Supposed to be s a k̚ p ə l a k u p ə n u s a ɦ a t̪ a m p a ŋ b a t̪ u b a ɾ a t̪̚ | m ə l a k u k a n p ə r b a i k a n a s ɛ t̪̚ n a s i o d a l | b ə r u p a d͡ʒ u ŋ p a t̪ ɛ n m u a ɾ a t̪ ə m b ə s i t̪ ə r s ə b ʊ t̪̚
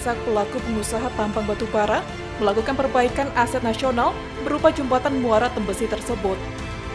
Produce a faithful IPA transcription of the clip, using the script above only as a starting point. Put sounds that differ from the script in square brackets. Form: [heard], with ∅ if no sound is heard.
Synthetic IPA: s a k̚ p ə l a k u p ə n u s a ɦ a t̪ a m p a ŋ b a t̪ u b a ɾ a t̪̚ | m ə l a k u k a n p ə r b a i k a n a s ɛ t̪̚ n a s i o [n] a l | b ə [ɾ] u p a d͡ʒ u [m] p a t̪ [a] n m u a ɾ a t̪ ə m b ə s i t̪ ə r s ə b ʊ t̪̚